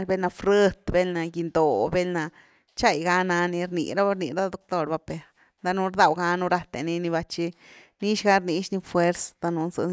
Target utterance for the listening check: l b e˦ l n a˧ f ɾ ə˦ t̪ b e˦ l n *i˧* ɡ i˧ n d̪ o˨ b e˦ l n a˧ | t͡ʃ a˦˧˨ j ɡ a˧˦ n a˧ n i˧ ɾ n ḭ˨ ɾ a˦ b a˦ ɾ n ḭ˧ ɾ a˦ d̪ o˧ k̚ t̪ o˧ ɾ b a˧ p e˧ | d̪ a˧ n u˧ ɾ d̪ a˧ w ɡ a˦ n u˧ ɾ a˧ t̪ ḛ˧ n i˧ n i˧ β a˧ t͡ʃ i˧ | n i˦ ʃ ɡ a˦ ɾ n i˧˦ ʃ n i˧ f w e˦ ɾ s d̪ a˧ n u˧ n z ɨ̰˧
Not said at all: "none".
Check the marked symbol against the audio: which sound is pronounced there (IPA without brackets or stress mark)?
a˧